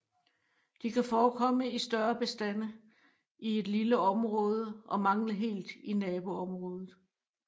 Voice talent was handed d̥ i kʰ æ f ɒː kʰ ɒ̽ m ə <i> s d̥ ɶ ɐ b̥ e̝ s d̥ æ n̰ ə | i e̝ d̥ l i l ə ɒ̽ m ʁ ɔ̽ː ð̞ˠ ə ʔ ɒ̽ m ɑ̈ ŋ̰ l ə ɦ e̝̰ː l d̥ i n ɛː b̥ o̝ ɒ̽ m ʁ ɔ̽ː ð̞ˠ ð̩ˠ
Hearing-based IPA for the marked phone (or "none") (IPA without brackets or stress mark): i